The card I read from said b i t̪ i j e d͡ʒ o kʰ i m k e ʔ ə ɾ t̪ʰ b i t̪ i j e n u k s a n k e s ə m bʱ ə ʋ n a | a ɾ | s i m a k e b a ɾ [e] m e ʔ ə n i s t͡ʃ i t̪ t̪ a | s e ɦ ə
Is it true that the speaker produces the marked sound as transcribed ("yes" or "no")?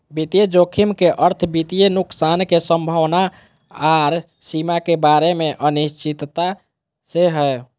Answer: yes